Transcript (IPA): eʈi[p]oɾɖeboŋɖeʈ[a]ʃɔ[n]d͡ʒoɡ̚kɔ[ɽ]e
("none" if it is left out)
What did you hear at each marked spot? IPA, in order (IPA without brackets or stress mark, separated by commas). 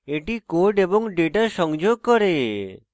k, a, ŋ, ɾ